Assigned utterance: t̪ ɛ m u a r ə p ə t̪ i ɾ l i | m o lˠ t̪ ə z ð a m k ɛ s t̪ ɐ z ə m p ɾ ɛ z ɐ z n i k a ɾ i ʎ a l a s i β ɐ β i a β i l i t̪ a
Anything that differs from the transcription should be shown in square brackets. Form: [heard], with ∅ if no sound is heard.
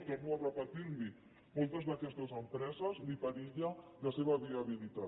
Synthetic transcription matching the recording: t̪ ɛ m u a r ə p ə t̪ i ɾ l i | m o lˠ t̪ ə z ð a [∅] k ɛ s t̪ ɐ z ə m p ɾ ɛ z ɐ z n i [p] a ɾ i ʎ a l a s [e] β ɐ β i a β i l i t̪ a